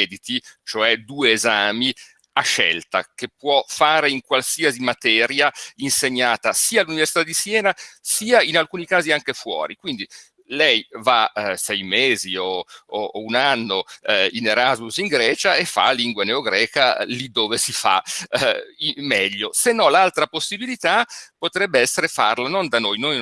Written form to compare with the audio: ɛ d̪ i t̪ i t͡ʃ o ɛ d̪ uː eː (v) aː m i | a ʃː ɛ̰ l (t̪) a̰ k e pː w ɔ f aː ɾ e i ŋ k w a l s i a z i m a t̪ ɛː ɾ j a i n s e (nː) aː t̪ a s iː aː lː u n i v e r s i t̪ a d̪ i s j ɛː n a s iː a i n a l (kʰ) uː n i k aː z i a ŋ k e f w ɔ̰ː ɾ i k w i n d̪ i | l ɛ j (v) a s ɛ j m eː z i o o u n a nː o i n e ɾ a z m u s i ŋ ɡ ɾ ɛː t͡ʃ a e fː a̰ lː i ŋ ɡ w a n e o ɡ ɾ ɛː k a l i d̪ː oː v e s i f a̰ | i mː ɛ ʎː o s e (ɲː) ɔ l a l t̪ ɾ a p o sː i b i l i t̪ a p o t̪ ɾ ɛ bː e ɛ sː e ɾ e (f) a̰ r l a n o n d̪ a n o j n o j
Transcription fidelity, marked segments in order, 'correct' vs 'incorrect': incorrect: z, correct, incorrect: ɲː, incorrect: k, correct, incorrect: nː, correct

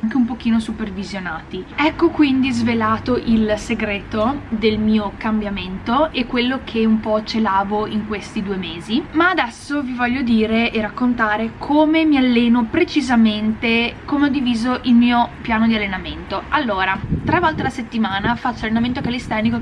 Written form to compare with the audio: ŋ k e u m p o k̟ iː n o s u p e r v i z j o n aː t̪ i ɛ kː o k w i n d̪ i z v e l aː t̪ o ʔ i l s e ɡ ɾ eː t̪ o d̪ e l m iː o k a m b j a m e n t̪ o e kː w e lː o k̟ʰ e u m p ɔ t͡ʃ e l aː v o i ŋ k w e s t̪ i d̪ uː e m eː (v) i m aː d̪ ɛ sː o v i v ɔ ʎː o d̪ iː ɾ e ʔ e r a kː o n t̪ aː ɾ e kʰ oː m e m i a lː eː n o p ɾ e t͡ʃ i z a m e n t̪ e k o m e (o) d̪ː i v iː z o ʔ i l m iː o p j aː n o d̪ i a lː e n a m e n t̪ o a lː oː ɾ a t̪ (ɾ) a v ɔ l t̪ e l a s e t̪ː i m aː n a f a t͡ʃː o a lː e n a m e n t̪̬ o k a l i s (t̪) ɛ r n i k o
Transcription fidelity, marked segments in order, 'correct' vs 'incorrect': incorrect: z, incorrect: ɔ, correct, correct

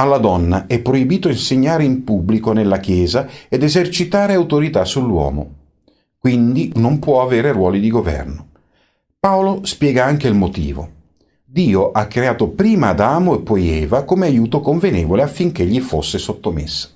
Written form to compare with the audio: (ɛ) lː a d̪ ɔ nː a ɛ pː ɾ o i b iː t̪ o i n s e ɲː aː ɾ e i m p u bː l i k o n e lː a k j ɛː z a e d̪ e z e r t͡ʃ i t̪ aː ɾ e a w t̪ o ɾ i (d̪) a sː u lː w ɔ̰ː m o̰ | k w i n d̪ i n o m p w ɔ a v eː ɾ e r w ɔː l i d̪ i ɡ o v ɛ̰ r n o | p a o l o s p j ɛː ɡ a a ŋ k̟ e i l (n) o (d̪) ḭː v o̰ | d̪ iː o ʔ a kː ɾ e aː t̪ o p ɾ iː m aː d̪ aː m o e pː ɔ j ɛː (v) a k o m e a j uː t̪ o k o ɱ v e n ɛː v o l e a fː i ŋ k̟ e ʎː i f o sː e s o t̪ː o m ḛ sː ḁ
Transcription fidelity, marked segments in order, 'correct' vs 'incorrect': incorrect: a, incorrect: t̪, incorrect: m, incorrect: t̪, correct

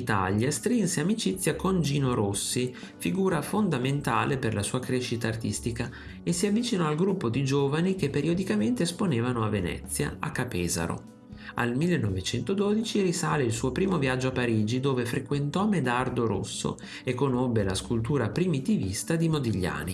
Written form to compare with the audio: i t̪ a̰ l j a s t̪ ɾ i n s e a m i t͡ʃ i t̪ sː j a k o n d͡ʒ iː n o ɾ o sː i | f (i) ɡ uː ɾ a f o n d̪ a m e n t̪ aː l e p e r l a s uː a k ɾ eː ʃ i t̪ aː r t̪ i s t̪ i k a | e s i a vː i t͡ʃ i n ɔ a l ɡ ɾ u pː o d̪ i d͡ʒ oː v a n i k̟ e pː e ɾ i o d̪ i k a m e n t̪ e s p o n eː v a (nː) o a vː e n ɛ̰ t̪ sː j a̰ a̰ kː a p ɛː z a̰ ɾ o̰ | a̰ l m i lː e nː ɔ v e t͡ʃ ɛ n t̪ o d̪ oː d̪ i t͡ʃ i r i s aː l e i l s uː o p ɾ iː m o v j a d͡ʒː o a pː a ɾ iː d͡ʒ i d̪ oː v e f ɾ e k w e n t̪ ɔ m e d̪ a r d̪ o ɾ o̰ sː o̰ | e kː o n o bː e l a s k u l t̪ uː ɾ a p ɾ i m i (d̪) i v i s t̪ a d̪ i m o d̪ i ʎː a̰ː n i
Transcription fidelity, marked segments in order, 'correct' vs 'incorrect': correct, incorrect: n, incorrect: t̪

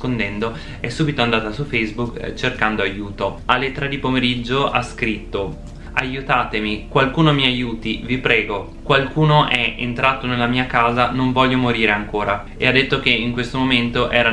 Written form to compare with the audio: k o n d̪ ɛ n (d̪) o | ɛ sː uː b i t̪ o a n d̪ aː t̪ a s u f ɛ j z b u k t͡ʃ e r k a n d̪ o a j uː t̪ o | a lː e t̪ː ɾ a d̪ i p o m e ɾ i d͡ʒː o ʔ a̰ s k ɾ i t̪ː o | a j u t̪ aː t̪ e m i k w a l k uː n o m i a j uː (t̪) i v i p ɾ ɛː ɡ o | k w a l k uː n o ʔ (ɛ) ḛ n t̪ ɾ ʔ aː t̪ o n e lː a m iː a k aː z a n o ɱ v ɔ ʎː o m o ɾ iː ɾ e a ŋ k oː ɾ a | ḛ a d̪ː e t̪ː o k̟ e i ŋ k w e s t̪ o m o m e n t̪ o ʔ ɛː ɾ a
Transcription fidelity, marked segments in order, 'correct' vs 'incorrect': correct, correct, correct

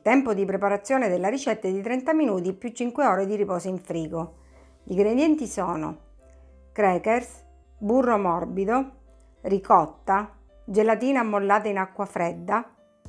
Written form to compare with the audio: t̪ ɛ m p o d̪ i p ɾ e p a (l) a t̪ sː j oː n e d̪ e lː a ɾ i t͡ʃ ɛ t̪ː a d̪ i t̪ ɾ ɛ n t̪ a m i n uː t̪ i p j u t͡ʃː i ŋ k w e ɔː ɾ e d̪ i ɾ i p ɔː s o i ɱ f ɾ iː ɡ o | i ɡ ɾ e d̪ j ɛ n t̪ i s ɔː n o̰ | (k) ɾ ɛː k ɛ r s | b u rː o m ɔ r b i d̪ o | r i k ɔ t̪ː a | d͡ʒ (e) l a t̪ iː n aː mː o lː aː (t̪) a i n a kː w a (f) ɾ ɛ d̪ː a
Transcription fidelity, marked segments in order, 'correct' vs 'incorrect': incorrect: ɾ, correct, correct, correct, correct

